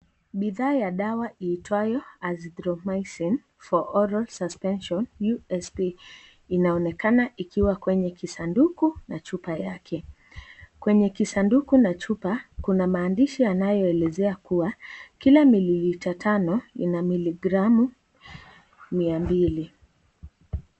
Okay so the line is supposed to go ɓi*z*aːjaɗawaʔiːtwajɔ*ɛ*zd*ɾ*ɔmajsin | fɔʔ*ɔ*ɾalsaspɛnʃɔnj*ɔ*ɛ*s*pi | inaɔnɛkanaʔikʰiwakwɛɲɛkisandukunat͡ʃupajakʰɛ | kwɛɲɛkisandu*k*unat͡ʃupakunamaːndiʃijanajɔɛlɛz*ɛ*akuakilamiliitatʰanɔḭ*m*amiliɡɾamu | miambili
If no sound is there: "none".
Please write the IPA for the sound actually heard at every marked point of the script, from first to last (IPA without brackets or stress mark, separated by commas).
ð, a, ɾ, ɔ, u, s, k, ɛ, n